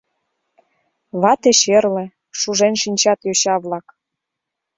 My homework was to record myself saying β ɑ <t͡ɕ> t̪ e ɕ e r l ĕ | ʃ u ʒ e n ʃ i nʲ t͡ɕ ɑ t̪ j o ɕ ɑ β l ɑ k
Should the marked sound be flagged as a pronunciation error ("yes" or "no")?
yes